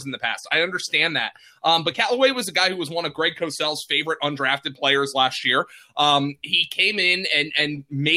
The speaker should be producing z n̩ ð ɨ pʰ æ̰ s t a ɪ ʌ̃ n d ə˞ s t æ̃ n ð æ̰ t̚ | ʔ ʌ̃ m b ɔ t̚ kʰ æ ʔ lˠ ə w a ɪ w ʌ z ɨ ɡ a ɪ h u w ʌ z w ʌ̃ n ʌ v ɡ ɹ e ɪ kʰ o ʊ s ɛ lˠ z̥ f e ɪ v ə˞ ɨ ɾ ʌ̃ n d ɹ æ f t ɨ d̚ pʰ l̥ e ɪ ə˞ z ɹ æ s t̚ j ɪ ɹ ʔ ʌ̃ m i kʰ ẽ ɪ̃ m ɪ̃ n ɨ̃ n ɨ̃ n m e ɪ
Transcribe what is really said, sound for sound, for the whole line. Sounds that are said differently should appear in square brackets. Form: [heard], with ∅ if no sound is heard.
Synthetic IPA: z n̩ ð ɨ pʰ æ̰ s t a ɪ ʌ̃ n d ə˞ s t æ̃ n ð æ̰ t̚ | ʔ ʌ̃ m b [ʌ] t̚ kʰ æ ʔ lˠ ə w [e] ɪ w ʌ z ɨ ɡ a ɪ h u w ʌ z w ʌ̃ n ʌ v ɡ ɹ e ɪ kʰ o ʊ s ɛ lˠ z̥ f e ɪ v ə˞ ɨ ɾ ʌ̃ n d ɹ æ f t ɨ d̚ pʰ l̥ e ɪ ə˞ z [l] æ s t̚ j ɪ ɹ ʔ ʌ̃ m i kʰ ẽ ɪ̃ m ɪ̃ n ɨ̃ n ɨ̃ n m e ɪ